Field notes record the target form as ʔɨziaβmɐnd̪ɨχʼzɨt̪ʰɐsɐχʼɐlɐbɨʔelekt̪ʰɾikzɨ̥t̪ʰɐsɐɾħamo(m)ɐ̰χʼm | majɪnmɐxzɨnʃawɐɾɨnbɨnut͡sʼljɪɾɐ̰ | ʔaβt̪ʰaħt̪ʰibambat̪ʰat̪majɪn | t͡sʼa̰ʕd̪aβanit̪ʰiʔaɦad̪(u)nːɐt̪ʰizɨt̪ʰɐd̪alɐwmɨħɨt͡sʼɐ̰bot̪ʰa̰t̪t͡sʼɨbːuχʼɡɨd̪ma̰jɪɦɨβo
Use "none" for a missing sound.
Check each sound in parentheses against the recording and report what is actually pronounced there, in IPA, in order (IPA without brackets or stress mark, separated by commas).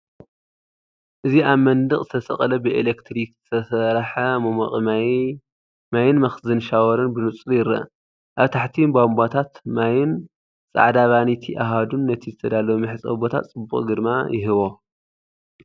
m, u